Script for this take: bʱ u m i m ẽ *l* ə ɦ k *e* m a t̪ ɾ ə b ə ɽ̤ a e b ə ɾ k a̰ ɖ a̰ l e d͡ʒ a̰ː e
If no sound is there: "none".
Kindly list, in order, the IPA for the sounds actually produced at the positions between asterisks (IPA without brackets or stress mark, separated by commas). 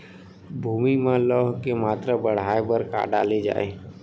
l, e